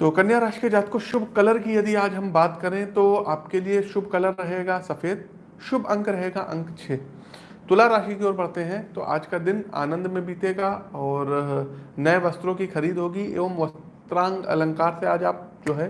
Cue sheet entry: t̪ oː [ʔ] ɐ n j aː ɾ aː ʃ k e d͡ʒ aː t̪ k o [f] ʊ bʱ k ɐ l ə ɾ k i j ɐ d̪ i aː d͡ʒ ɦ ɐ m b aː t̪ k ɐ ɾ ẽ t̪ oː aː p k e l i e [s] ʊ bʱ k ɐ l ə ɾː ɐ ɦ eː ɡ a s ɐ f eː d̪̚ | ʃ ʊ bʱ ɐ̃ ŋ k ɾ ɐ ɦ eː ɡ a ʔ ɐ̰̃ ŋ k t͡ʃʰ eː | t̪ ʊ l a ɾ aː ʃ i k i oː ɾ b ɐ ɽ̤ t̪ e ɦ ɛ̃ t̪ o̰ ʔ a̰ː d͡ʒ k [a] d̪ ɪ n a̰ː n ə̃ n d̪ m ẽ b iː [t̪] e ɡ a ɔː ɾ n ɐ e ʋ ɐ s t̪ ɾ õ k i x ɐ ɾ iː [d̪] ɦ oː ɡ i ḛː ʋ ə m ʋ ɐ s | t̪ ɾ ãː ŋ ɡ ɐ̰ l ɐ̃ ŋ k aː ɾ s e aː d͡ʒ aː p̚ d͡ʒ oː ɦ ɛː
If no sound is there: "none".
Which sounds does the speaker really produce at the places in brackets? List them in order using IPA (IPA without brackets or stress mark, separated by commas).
k, ʃ, ʃ, a, t̪, d̪